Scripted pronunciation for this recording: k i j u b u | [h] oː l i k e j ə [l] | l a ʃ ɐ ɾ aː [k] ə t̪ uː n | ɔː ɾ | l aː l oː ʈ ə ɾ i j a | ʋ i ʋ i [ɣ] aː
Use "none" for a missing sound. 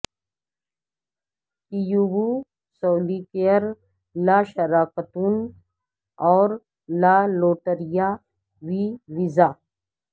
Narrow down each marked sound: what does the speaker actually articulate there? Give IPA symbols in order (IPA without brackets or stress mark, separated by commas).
s, ɾ, k, z